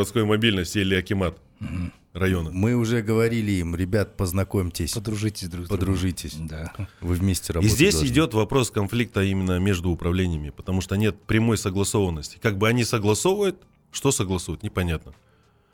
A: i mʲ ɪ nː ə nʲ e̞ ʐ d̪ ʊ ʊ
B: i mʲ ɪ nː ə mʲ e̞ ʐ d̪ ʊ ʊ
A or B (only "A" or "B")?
B